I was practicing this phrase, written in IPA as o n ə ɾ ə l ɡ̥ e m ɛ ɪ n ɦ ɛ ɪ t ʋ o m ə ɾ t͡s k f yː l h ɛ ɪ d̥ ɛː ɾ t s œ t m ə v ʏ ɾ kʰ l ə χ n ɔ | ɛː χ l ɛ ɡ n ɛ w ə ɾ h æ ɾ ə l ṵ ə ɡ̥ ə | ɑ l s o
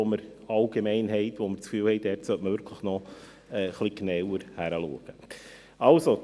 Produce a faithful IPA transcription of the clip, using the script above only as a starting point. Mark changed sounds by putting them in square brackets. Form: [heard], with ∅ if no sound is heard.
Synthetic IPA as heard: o [m] ə ɾ [ɑ] l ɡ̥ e m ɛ ɪ n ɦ ɛ ɪ t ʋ o m ə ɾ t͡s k f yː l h ɛ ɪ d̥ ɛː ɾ t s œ t m ə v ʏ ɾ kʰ l ə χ n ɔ | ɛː χ l [i] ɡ n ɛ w ə ɾ h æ ɾ ə l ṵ ə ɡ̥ ə | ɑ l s o